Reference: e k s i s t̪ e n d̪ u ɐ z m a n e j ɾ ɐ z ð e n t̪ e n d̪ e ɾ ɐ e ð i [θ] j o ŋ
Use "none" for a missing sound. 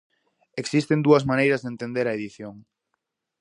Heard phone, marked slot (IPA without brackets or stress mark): θ